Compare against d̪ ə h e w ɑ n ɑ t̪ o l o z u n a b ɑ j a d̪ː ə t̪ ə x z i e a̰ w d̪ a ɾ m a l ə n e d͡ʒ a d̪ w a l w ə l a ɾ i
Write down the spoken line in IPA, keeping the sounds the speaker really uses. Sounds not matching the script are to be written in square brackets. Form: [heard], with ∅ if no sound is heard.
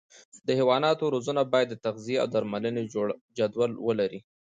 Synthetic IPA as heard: d̪ ə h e w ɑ n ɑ t̪ o [ɾ] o z u n a b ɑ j a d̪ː ə t̪ [a] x z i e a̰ w d̪ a ɾ m a l ə n e d͡ʒ a d̪ w a l w ə l a ɾ i